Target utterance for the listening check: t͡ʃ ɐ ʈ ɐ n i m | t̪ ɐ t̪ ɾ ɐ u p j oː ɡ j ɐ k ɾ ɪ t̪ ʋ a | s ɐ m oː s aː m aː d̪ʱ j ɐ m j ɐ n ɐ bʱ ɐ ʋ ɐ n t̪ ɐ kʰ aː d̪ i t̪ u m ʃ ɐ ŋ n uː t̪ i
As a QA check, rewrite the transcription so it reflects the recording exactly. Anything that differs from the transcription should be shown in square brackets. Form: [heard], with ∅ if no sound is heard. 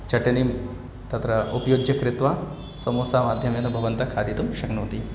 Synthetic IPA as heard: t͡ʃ ɐ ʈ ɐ n i m | t̪ ɐ t̪ ɾ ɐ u p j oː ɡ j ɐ k ɾ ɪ t̪ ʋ a | s ɐ m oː s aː m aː d̪ʱ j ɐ m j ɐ n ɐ bʱ ɐ ʋ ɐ n t̪ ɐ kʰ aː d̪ i t̪ u m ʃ ɐ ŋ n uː t̪ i